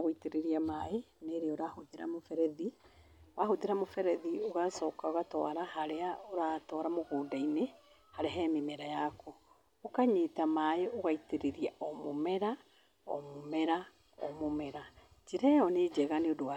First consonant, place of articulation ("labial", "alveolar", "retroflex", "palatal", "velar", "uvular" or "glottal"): velar